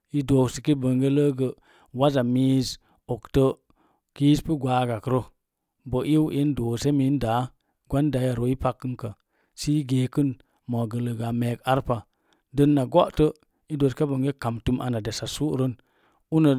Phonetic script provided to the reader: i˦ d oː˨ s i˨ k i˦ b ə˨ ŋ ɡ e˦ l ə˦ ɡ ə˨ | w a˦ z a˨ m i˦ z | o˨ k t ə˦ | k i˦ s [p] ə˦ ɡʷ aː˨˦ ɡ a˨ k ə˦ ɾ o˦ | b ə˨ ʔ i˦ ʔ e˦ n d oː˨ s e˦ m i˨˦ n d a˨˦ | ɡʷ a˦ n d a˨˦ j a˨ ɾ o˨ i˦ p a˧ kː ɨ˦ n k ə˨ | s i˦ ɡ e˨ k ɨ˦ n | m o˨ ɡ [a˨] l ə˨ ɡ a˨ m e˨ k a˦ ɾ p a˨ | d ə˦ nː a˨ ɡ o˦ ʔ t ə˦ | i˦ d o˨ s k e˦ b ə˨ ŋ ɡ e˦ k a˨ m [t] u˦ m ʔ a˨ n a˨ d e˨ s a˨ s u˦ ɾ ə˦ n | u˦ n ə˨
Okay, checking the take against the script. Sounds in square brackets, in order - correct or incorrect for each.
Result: correct, incorrect, correct

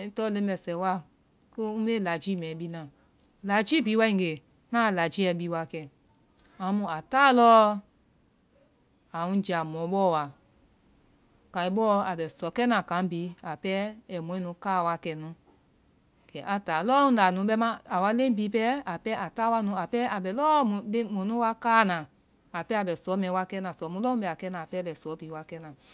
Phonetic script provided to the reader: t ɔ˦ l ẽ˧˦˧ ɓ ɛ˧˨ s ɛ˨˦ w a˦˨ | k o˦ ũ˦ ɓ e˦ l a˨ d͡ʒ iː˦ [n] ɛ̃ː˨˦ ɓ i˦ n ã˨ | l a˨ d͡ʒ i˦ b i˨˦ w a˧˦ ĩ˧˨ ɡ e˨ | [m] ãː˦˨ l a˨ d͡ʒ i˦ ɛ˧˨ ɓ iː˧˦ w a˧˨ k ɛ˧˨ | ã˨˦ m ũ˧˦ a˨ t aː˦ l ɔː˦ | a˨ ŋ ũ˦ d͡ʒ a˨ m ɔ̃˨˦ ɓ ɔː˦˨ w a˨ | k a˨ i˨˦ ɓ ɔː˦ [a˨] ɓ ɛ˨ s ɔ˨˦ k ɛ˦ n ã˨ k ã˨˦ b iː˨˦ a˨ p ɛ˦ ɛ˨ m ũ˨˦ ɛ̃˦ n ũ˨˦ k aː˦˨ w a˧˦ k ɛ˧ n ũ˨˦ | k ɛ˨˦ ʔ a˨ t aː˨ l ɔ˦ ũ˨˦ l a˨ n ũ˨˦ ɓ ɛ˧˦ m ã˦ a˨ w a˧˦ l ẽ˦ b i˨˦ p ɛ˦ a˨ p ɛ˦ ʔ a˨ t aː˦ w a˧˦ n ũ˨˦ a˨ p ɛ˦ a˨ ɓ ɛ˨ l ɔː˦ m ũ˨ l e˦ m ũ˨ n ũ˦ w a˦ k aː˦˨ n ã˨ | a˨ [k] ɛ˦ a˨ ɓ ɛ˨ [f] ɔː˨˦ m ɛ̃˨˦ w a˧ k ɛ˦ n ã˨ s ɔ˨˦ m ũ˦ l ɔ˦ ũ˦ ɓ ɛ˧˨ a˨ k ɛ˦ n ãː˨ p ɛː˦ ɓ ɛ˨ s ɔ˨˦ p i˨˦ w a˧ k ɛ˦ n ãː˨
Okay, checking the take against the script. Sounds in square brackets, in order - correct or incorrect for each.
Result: incorrect, incorrect, correct, incorrect, incorrect

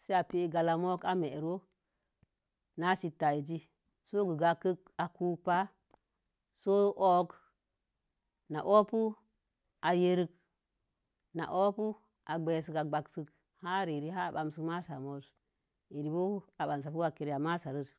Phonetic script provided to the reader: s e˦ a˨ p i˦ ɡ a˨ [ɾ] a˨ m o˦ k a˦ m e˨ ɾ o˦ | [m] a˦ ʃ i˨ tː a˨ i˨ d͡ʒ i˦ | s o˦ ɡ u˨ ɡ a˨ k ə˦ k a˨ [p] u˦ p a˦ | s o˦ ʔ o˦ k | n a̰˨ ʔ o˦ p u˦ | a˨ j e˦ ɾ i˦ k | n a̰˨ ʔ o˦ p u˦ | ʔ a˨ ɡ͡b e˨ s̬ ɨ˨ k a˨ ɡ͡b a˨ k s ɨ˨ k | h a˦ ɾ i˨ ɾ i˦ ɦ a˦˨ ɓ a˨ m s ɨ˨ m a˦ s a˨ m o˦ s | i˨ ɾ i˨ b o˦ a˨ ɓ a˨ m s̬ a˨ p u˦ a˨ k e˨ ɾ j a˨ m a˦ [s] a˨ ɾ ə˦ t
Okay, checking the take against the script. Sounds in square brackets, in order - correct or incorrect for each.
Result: incorrect, incorrect, incorrect, correct

